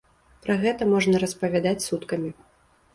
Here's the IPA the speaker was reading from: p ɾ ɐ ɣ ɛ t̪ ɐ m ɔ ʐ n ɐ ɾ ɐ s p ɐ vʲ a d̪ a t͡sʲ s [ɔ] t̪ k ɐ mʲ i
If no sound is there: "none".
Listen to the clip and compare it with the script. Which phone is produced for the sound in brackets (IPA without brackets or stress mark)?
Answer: u